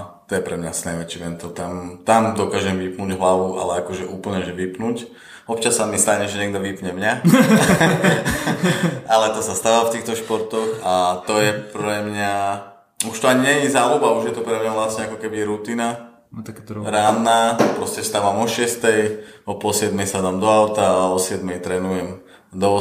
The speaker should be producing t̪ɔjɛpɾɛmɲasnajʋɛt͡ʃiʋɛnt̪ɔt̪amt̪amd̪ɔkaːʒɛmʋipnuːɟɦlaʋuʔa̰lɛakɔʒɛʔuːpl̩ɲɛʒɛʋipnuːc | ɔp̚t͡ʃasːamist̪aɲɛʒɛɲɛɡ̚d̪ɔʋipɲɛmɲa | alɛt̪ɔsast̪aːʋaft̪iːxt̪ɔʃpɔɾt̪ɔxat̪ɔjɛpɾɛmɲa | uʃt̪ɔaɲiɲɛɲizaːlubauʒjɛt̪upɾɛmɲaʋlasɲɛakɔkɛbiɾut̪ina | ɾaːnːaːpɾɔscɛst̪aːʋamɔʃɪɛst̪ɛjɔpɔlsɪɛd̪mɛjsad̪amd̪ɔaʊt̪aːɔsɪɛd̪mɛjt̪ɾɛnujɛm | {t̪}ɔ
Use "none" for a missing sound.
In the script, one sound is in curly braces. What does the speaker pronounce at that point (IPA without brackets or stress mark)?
d̪